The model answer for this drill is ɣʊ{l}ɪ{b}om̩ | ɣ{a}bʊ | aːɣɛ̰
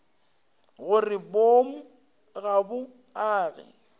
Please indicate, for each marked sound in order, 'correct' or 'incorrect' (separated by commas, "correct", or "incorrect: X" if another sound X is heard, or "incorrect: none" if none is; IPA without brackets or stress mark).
incorrect: r, correct, correct